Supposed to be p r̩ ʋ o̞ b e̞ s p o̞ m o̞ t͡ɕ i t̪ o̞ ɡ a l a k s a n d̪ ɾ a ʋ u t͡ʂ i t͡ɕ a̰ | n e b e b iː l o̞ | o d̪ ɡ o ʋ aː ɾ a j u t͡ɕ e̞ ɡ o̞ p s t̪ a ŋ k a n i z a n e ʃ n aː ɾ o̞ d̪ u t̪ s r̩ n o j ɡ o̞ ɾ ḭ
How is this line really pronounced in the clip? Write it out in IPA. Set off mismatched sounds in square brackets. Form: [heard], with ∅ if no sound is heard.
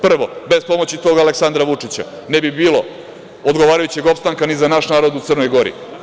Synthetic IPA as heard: p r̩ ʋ o̞ b e̞ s p o̞ m o̞ t͡ɕ i t̪ o̞ ɡ a l [e] k s a n d̪ ɾ a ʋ u t͡ʂ i t͡ɕ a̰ | n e b [i] b iː l o̞ | o d̪ ɡ o ʋ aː ɾ a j u t͡ɕ e̞ ɡ o̞ p s t̪ a ŋ k a n i z a n [a] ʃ n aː ɾ o̞ d̪ u t̪ s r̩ n o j ɡ o̞ ɾ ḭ